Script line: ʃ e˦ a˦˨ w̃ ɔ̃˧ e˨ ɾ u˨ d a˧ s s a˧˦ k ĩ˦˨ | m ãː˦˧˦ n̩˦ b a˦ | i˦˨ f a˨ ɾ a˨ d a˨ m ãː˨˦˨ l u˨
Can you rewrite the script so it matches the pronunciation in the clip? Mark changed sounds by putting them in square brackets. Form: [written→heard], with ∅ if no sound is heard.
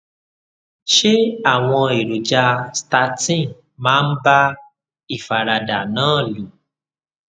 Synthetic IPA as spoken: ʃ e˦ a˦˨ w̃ ɔ̃˧ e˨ ɾ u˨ [d→d͡ʒ] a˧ s [s→t] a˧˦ [k→t] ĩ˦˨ | m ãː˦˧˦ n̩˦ b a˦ | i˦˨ f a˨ ɾ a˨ d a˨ [m→n] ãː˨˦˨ l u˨